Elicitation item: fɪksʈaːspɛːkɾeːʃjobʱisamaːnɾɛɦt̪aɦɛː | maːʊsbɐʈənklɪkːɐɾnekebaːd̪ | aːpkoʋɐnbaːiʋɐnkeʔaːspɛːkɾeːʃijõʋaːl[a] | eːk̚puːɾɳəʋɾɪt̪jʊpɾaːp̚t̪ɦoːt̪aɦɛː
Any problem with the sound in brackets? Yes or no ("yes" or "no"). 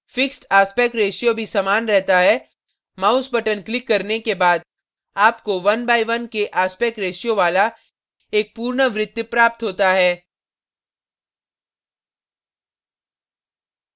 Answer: no